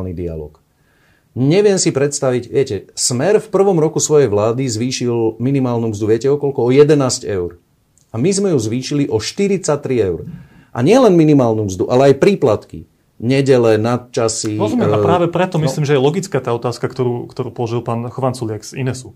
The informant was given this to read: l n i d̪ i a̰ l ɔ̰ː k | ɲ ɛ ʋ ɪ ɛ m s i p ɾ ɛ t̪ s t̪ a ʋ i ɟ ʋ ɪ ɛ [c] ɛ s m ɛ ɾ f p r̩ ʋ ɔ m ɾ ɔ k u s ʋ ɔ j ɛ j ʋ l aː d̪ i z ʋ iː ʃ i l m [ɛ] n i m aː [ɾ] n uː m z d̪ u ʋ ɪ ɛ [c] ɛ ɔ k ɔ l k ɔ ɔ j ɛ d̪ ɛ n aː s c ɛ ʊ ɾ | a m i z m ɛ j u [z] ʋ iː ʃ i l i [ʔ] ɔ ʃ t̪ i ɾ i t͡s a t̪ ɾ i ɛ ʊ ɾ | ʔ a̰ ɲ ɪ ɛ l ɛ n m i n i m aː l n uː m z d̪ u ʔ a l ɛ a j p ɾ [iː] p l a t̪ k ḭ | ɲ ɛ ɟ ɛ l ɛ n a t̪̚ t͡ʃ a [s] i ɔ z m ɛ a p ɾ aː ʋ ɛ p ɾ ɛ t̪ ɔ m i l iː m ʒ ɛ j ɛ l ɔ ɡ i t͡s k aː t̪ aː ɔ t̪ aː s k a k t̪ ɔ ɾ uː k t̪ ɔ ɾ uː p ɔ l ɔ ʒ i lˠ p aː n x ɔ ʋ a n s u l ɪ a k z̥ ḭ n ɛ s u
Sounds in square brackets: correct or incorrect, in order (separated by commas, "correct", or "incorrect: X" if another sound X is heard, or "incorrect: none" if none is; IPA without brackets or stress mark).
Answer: correct, incorrect: i, incorrect: l, correct, correct, correct, correct, correct